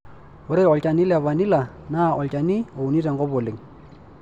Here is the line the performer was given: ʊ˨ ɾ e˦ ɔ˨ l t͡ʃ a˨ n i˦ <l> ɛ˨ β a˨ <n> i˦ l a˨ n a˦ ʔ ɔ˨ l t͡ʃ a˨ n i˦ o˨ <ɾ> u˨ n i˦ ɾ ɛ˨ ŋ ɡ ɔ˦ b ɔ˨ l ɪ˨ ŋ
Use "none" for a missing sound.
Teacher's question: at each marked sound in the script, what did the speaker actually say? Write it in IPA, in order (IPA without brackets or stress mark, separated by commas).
l, n, none